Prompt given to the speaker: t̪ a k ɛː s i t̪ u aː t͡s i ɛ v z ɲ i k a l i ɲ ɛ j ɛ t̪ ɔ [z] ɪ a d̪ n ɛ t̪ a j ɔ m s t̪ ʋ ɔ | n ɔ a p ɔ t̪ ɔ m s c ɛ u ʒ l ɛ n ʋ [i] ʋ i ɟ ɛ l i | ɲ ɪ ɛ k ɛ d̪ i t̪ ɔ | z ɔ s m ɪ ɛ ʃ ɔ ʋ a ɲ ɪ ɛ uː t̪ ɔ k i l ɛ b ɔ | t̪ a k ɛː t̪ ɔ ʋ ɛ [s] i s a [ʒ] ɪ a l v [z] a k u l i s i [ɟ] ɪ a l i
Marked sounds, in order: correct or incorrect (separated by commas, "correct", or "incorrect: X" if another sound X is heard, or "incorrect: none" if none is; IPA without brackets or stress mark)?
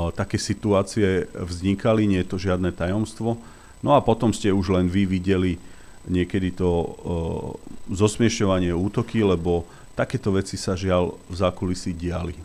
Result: incorrect: ʒ, correct, incorrect: t͡s, correct, correct, correct